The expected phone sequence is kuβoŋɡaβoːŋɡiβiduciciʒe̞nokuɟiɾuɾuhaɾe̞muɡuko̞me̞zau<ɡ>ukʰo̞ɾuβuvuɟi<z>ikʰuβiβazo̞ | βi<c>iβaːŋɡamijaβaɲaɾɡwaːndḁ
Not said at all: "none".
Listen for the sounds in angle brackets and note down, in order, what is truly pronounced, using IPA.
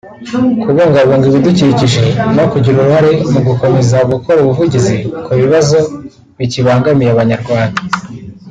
ɡ, z, c

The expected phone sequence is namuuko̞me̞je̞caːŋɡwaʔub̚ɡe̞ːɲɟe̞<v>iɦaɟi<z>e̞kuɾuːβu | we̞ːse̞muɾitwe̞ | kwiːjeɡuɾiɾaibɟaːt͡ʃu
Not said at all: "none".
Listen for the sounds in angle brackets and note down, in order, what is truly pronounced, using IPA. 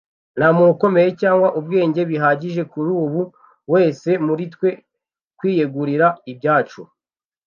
β, ʒ

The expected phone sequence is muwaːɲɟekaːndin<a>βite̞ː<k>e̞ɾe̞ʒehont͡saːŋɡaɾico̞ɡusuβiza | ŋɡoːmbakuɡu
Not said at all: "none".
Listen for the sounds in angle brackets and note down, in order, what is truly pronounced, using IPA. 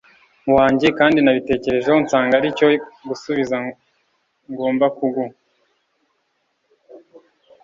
a, c

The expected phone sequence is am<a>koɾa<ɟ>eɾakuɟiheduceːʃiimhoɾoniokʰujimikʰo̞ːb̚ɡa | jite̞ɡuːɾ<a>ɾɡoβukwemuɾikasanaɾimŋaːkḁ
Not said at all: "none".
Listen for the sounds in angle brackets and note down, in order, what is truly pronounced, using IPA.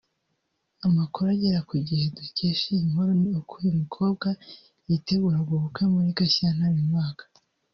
a, ɟ, a

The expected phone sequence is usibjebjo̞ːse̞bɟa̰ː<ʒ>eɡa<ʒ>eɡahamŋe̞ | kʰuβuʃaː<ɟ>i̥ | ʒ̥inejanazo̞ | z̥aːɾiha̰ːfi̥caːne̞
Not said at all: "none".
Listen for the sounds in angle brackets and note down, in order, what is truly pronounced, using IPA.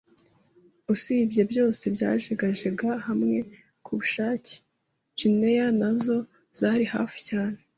ʒ, ʒ, c

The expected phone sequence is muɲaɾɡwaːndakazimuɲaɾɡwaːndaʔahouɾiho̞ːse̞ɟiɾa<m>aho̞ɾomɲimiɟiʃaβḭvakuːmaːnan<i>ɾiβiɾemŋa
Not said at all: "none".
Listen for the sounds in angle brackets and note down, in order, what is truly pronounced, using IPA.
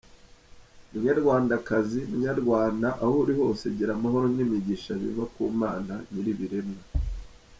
m, i

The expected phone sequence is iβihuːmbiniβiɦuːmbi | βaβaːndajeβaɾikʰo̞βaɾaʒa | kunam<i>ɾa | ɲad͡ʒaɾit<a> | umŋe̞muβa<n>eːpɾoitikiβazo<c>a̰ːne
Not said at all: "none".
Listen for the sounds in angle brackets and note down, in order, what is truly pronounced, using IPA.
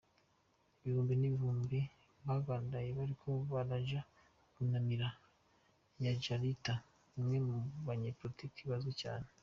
i, a, ɲ, c

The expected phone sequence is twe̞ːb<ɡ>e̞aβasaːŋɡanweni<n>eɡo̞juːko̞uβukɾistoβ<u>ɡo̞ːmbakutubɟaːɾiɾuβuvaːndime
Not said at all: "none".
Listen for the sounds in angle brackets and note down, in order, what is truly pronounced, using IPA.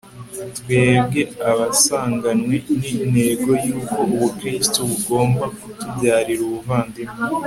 ɡ, n, u

